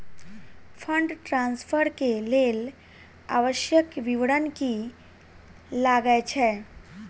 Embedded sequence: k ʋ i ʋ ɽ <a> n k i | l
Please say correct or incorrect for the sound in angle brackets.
incorrect